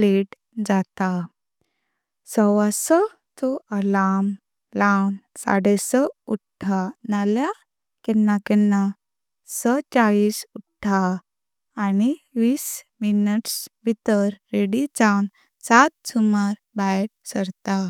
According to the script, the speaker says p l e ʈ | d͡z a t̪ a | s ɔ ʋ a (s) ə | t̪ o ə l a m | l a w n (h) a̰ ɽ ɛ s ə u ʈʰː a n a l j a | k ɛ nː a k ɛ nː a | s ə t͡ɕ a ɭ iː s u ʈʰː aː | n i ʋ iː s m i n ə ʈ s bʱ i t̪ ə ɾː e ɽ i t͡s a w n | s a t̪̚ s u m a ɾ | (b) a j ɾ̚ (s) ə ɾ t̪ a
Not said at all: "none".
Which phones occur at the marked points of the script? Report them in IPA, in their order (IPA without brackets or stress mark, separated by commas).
s, s, b, s